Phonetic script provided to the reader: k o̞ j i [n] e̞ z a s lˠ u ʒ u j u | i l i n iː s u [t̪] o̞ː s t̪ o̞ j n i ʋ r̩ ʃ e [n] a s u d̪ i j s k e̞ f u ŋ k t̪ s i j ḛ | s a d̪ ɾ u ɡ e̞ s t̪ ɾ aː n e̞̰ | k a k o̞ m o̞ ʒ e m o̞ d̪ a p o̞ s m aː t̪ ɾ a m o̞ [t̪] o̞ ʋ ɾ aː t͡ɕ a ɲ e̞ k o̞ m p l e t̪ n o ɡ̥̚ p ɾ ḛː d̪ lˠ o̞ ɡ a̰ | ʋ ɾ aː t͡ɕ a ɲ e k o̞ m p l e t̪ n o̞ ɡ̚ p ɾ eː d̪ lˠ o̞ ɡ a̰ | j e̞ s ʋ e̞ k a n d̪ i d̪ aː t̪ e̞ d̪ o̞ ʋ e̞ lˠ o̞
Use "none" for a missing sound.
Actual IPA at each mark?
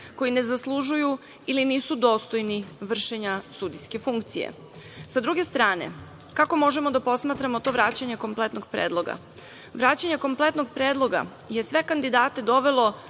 n, d̪, ɲ, t̪

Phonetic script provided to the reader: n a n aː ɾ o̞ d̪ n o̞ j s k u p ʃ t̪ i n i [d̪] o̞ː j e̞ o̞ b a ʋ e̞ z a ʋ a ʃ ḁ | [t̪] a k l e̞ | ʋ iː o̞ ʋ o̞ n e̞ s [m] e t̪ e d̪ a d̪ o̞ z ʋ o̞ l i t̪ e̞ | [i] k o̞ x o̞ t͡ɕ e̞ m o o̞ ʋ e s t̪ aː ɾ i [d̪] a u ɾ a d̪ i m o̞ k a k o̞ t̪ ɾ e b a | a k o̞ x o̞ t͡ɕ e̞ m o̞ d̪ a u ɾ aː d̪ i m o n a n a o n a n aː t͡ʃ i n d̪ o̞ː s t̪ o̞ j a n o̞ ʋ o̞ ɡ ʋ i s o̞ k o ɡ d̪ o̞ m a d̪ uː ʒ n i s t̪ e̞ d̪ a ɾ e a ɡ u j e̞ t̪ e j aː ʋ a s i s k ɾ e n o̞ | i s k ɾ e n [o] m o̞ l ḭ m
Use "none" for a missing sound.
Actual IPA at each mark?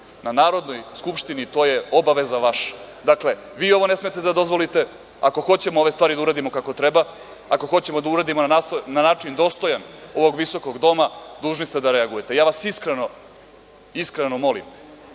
t̪, d̪, m, a, d̪, o

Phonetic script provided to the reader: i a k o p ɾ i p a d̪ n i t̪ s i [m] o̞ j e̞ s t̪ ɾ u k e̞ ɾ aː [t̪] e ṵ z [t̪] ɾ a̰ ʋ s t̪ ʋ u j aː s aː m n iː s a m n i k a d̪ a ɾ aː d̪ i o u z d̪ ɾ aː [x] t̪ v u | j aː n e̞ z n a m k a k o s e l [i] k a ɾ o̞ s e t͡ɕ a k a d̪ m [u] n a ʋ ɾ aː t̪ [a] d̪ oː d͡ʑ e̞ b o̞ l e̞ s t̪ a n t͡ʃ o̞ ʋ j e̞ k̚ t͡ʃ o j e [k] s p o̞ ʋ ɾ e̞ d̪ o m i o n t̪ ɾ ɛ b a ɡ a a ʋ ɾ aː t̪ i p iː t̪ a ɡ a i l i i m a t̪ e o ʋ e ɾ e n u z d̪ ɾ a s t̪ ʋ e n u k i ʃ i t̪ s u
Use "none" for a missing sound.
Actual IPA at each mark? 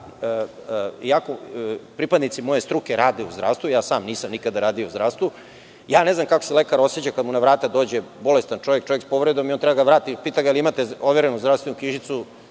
m, d̪, d̪, s, e, u, a, k

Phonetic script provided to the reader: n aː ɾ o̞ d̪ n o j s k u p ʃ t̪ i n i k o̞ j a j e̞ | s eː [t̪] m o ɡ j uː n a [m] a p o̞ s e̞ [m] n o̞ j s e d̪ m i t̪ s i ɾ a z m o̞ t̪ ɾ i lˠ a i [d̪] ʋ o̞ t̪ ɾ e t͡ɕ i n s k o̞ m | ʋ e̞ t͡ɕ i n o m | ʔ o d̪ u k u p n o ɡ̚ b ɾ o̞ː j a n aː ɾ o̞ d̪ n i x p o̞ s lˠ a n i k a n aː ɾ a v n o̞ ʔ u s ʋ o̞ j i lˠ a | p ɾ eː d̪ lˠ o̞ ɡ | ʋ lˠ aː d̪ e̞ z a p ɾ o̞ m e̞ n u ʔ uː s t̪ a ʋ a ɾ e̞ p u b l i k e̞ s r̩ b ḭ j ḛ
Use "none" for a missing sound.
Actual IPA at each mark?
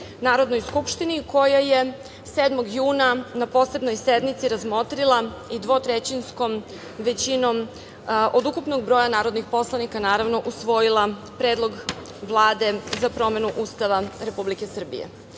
d̪, n, b, d̪

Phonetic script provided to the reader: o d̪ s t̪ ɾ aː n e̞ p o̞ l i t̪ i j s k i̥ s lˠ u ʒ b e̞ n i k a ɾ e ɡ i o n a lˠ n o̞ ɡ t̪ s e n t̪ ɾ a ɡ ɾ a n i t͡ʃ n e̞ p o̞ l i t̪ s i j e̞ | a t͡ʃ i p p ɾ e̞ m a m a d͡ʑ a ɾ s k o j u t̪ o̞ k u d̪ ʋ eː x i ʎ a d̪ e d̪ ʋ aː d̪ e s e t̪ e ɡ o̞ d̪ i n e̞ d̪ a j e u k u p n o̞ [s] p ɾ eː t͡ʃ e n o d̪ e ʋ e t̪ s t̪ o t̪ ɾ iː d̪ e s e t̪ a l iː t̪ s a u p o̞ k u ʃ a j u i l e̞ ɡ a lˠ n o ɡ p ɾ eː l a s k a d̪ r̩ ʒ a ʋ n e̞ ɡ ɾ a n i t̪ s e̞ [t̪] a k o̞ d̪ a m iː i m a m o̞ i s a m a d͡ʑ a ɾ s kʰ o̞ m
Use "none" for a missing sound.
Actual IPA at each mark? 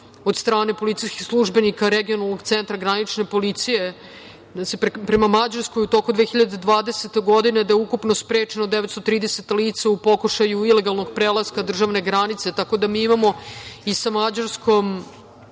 s, t̪

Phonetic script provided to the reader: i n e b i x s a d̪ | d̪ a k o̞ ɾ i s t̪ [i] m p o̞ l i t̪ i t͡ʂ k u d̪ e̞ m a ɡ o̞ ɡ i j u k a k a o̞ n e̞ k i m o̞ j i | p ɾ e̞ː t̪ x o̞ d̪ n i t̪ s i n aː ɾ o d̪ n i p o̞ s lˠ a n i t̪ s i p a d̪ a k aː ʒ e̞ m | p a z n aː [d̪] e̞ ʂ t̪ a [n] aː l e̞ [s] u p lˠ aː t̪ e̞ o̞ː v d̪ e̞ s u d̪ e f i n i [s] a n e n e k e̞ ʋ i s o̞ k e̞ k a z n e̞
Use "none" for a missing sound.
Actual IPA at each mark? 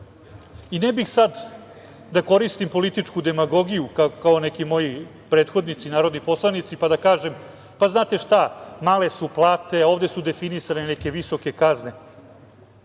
i, t̪, m, s, s

